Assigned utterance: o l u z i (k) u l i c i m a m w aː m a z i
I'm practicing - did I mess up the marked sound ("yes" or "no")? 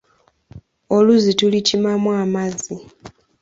yes